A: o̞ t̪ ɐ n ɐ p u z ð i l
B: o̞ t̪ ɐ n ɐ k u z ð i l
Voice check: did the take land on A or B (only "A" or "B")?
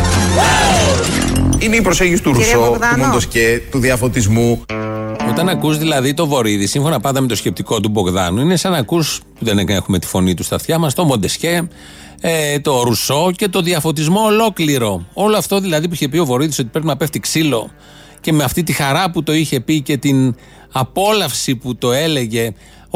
B